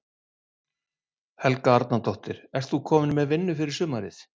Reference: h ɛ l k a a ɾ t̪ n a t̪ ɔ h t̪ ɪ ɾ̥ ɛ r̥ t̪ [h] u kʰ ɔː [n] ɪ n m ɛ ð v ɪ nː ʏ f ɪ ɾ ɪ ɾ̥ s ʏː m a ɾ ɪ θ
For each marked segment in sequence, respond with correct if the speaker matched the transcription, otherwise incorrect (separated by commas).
incorrect, incorrect